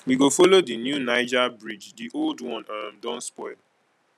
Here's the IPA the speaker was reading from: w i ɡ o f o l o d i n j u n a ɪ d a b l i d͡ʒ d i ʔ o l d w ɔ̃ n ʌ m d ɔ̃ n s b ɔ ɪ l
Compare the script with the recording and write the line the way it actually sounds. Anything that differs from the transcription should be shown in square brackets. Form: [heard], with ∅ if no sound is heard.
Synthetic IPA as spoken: w i ɡ o f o l o d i n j u n a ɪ [d͡ʒ] a b [ɹ] i d͡ʒ d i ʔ o l d w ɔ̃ n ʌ m d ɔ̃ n s [p] ɔ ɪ l

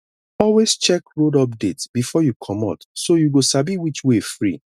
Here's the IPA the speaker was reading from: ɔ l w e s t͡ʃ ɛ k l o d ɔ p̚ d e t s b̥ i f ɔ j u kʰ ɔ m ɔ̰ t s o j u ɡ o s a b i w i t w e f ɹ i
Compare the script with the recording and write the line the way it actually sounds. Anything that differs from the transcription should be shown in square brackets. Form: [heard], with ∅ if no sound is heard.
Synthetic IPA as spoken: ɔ l w e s t͡ʃ ɛ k [ɹ] o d ɔ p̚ d e t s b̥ i f ɔ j u kʰ ɔ m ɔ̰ t s o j u ɡ o s a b i w i [t͡ʃ] w e f ɹ i

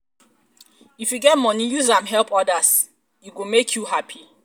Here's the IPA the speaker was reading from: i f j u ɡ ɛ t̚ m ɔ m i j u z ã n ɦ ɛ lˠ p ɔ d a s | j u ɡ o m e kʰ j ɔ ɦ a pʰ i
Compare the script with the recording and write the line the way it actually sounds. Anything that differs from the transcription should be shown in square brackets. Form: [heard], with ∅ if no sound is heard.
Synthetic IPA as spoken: i f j u ɡ ɛ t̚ m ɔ [n] i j u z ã [m] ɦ ɛ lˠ p ɔ d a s | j u ɡ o m e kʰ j [u] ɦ a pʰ i

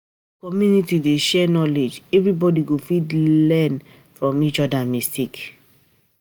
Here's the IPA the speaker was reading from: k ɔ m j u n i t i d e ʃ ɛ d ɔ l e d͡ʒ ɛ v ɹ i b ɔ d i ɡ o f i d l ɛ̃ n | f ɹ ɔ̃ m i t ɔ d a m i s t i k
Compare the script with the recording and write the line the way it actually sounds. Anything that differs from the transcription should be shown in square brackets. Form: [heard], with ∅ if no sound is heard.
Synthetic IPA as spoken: k ɔ m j u n i t i d e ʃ ɛ [n] ɔ l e d͡ʒ ɛ v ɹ i b ɔ d i ɡ o f i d l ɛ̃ n | f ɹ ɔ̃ m i [t͡ʃ] ɔ d a m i s t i k

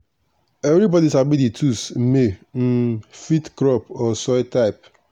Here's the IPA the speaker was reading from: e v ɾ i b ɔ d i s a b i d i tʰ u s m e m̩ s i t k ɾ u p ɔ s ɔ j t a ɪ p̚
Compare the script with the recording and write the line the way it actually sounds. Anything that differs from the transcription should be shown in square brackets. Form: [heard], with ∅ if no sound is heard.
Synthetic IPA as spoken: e v ɾ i b ɔ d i s a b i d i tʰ u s m e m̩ [f] i t k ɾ [ɔ] p ɔ s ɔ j t a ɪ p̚

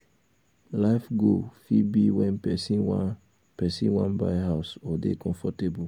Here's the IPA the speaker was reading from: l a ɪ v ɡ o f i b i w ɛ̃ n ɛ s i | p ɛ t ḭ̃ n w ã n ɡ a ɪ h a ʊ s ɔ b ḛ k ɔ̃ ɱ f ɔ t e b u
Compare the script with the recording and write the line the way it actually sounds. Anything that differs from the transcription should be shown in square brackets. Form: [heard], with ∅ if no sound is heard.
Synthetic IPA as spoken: l a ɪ [f] ɡ o f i b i w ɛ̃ n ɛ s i | p ɛ [s] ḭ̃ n w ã n [b] a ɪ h a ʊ s ɔ [d] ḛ k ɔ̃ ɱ f ɔ t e b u

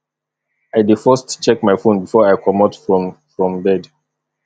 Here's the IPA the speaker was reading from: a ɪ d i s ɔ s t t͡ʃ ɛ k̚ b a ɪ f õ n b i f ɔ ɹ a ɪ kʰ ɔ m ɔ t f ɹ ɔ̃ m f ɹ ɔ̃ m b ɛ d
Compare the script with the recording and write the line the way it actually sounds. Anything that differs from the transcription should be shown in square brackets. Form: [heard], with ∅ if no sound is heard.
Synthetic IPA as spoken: a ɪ d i [f] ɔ s t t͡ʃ ɛ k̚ [m] a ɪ f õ n b i f ɔ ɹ a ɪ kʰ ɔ m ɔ t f ɹ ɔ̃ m f ɹ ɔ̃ m b ɛ d

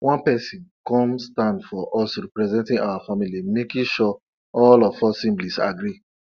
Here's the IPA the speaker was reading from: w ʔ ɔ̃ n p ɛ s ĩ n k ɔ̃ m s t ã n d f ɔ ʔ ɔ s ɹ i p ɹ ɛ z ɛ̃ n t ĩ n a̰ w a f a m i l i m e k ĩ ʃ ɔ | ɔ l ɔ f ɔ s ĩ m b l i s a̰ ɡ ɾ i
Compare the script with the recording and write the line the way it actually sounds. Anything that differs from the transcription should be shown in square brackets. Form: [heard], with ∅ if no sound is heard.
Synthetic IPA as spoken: w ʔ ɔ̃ n p ɛ s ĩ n k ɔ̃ m s t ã n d f ɔ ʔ ɔ s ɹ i p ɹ ɛ z ɛ̃ n t ĩ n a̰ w a f a m i l i m e k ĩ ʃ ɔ | ɔ l ɔ f ɔ s ĩ m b l i s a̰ ɡ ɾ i

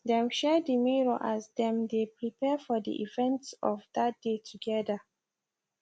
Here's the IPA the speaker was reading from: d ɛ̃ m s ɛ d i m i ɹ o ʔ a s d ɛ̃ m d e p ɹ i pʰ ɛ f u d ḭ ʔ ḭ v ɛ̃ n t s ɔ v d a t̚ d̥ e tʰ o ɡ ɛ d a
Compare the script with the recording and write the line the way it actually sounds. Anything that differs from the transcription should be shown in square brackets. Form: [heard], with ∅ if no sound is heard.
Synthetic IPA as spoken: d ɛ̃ m [ʃ] ɛ d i m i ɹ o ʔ a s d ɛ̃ m d e p ɹ i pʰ ɛ f [ɔ] d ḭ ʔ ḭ v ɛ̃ n t s ɔ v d a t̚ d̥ e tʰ [u] ɡ ɛ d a

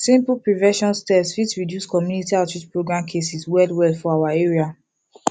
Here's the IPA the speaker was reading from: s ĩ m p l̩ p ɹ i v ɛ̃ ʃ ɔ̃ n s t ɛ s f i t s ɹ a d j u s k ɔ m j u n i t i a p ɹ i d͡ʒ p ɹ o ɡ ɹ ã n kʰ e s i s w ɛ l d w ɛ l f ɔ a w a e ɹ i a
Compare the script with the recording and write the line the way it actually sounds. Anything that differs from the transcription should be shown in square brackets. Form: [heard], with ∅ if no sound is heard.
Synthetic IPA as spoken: s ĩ m p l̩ p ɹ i v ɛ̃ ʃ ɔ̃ n s t ɛ s f i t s ɹ [i] d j u s k ɔ m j u n i t i a [t] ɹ i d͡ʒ p ɹ o ɡ ɹ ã [m] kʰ e s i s w ɛ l d w ɛ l f ɔ a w a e ɹ i a

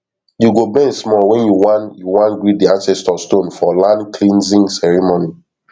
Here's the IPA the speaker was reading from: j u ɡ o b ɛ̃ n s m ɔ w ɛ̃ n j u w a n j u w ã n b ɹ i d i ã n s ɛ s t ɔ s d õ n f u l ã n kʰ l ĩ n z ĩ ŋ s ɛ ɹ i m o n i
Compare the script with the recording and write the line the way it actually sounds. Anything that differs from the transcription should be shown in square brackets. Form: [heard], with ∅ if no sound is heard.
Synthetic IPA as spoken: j u ɡ o b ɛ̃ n s m ɔ w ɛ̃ n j u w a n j u w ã n [ɡ] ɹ i d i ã n s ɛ s t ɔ s [t] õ n f [ɔ] l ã n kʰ l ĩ n z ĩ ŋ s ɛ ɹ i m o n i

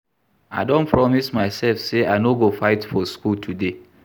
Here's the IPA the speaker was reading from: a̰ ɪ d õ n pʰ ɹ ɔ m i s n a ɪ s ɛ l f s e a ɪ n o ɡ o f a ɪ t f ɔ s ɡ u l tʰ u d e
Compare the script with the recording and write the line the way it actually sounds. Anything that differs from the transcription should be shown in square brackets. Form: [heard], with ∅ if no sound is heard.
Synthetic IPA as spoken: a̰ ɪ d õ n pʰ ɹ ɔ m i s [m] a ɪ s ɛ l f s e a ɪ n o ɡ o f a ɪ t f ɔ s [k] u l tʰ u d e

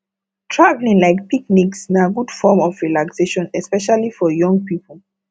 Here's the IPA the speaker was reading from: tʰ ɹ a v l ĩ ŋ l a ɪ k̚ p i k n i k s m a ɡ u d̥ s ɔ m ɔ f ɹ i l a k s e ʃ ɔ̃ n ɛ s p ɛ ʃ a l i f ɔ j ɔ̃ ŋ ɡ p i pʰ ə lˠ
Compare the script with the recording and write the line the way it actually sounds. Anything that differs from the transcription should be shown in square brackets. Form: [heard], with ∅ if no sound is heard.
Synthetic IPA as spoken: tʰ ɹ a v l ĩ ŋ l a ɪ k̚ p i k n i k s [n] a ɡ u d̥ [f] ɔ m ɔ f ɹ i l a k s e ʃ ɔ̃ n ɛ s p ɛ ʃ a l i f ɔ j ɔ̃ ŋ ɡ p i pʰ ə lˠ

